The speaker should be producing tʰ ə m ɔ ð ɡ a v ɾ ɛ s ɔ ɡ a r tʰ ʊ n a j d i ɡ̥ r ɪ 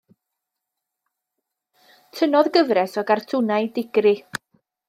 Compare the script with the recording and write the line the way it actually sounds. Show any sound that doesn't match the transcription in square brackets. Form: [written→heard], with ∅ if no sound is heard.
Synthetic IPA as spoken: tʰ ə [m→n] ɔ ð ɡ [a→ə] v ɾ ɛ s ɔ ɡ a r tʰ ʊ n a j d [i→ɪ] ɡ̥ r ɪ